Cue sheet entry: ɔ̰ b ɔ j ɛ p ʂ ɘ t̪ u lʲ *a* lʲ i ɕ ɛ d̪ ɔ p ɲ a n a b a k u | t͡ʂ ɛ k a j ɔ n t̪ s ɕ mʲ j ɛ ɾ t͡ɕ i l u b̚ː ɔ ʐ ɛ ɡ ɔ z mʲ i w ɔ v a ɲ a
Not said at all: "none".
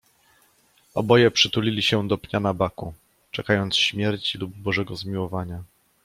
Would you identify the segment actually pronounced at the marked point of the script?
i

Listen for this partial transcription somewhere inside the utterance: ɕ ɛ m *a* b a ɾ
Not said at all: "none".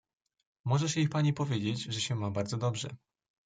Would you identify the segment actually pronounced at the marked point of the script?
a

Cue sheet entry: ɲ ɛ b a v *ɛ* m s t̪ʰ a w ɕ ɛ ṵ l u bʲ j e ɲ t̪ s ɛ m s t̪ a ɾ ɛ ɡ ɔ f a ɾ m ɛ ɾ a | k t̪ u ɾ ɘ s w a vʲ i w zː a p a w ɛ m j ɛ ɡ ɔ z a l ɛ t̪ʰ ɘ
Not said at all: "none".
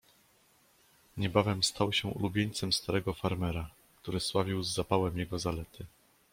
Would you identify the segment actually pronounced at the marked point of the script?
ɛ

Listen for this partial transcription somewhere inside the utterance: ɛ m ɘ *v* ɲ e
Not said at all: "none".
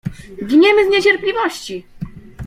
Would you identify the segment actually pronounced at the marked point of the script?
z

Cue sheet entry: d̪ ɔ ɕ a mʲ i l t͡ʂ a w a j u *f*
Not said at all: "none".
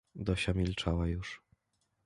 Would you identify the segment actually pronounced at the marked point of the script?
ʂ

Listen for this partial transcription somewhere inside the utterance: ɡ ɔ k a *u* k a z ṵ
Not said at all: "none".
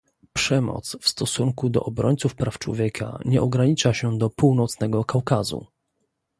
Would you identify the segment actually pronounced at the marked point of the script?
w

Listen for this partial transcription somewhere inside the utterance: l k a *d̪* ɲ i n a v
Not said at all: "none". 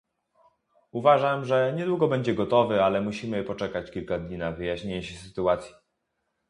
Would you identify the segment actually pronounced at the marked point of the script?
d̪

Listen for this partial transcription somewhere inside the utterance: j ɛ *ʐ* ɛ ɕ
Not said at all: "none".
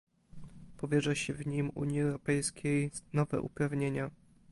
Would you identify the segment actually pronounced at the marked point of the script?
ʐ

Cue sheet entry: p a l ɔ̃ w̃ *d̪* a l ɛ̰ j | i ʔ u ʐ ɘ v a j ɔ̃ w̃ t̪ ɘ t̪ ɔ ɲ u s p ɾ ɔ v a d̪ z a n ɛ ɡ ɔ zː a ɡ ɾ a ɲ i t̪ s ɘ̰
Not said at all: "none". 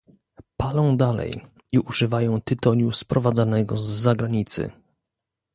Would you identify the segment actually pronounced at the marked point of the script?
d̪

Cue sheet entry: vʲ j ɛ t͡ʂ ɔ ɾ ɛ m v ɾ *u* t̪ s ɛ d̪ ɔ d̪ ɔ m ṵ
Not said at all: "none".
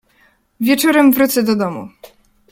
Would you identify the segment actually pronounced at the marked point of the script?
u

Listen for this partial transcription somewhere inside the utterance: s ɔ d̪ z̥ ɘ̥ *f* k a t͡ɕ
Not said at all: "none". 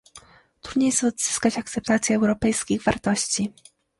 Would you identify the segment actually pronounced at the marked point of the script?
s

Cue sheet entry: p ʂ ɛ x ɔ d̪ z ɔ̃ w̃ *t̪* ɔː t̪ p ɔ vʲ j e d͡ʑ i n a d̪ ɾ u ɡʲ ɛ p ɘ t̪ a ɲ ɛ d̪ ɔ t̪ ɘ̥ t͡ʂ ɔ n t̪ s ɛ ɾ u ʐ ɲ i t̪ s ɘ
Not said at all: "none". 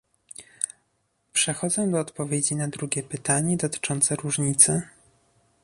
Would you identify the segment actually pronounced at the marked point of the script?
d̪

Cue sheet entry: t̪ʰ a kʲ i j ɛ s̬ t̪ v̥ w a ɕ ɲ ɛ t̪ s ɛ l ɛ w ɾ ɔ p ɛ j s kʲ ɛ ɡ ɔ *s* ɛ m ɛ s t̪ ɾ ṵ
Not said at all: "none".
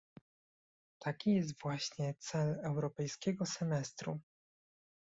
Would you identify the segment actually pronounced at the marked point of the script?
s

